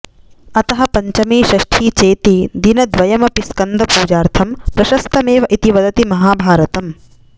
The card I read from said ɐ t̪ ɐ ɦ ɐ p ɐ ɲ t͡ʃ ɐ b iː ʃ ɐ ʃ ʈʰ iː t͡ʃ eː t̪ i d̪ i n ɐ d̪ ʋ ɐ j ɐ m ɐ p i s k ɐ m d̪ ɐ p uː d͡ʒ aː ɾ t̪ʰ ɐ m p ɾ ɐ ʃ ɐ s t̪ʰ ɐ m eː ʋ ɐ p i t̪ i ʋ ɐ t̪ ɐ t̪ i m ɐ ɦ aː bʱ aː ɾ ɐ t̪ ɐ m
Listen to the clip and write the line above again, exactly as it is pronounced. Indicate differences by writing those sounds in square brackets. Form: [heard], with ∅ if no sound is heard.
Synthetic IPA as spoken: ɐ t̪ ɐ ɦ ɐ p ɐ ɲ t͡ʃ ɐ [m] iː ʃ ɐ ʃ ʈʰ iː t͡ʃ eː t̪ i d̪ i n ɐ d̪ ʋ ɐ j ɐ m ɐ p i s k ɐ [n] d̪ ɐ p uː d͡ʒ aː ɾ t̪ʰ ɐ m p ɾ ɐ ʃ ɐ s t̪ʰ ɐ m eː ʋ ɐ [ʔ] i t̪ i ʋ ɐ [d̪] ɐ t̪ i m ɐ ɦ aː bʱ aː ɾ ɐ t̪ ɐ m